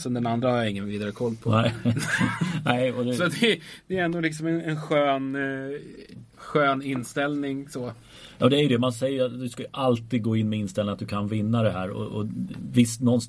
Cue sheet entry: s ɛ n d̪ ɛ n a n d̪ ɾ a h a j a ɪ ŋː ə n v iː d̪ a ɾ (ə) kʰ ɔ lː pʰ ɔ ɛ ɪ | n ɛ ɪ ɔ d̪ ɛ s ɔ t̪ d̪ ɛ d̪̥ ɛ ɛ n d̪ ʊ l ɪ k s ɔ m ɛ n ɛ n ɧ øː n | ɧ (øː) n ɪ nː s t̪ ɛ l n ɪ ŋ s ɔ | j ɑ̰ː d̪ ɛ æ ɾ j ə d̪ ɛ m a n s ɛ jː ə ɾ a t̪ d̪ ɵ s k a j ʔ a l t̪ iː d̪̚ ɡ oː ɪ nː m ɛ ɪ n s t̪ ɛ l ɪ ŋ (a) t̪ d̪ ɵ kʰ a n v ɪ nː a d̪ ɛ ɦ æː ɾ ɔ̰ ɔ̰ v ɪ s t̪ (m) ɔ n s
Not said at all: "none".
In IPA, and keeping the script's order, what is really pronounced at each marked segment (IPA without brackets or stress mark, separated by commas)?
ə, øː, a, n